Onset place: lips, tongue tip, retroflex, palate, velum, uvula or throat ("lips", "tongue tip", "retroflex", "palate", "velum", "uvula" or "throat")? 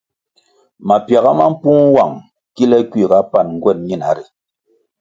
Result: lips